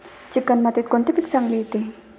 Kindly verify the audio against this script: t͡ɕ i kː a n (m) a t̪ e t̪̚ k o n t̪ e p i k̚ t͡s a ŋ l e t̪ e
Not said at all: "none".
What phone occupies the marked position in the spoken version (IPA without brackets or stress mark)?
m